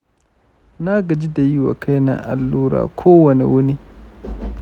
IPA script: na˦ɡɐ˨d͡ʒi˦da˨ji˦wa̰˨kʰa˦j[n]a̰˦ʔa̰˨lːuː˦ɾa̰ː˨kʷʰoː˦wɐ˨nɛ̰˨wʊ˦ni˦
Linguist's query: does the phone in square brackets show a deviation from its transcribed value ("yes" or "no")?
no